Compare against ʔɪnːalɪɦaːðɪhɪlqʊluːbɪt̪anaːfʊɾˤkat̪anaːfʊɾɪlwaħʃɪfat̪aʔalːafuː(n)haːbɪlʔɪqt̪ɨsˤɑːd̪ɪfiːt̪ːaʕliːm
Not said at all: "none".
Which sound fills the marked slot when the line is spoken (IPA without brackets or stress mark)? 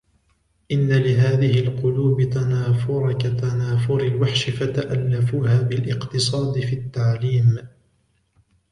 none